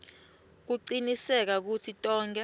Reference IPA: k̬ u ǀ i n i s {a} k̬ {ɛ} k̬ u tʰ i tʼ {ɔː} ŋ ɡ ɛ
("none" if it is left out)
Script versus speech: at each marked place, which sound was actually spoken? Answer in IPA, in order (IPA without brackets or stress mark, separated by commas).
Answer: ɛ, a, ɔː